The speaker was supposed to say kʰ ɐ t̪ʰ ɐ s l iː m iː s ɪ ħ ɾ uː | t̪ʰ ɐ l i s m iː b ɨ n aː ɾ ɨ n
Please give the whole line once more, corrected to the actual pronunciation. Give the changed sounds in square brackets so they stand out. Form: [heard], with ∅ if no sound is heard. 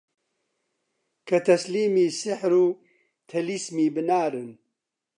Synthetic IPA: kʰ ɐ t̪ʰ ɐ s l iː m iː s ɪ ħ ɾ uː | t̪ʰ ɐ l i s m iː b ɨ n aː ɾ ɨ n